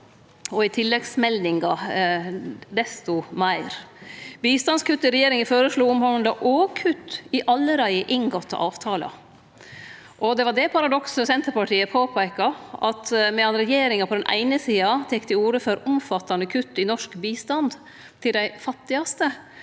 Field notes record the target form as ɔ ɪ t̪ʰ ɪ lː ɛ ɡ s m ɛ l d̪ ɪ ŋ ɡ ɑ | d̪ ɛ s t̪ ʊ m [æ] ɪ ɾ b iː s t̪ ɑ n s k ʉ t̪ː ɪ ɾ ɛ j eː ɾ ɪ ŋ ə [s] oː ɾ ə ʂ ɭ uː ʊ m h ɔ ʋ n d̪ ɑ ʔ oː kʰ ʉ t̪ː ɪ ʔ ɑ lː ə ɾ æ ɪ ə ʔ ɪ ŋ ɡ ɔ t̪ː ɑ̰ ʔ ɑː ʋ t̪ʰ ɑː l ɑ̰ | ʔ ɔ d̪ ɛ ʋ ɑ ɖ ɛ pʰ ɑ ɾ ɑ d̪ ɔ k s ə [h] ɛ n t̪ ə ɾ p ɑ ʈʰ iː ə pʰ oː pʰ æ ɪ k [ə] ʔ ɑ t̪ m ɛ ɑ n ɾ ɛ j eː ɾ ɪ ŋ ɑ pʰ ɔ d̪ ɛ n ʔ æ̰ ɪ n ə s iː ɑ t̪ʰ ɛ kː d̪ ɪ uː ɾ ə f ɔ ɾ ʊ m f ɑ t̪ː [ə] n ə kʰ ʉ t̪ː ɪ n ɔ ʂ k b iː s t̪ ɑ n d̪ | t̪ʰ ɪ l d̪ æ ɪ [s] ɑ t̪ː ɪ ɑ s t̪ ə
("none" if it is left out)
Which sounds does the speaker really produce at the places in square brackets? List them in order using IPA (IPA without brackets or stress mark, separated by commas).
æ, f, s, ɑ, ɑ, f